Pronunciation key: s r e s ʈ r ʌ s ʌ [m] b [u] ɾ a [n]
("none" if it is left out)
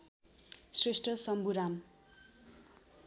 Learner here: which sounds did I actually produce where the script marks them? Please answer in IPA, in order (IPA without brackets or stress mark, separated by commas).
m, u, m